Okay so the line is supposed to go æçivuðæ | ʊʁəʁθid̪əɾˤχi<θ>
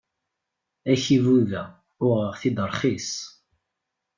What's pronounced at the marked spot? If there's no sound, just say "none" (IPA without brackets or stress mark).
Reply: s